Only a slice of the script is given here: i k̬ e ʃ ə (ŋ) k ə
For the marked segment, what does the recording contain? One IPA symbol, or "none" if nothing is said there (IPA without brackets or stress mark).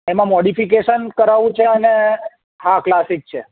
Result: n